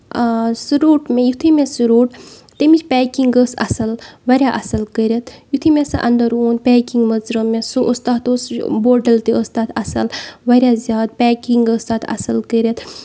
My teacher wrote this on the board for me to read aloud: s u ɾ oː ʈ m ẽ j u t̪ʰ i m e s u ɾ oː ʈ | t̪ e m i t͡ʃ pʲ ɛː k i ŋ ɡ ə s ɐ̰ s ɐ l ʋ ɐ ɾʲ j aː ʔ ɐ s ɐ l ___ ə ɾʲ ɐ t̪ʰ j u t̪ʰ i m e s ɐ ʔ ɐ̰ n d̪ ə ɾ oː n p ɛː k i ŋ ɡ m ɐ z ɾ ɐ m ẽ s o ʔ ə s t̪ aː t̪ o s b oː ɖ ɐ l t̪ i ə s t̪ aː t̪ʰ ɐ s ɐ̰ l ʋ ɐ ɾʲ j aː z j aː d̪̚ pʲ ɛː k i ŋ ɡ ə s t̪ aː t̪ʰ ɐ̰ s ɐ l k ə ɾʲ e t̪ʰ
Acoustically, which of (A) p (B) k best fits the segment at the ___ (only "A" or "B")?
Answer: B